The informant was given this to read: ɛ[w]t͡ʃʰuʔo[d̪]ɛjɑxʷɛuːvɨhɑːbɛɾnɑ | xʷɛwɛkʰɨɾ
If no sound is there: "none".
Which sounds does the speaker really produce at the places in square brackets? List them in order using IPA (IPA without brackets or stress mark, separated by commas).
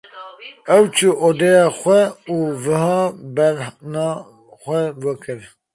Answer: w, d̪